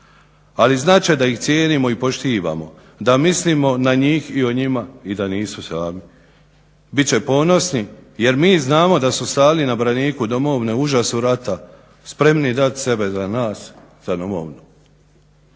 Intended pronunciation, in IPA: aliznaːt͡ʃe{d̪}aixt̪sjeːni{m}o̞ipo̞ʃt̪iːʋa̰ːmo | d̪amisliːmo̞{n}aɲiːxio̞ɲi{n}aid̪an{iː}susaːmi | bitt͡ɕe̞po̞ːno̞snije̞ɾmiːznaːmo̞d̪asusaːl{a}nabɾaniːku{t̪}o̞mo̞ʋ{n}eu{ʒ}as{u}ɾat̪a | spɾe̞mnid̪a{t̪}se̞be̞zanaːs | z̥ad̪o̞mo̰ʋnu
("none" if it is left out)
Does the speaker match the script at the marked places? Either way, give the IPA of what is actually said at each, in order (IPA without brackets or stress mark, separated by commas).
d̪, m, n, m, iː, i, d̪, n, ʒ, u, t̪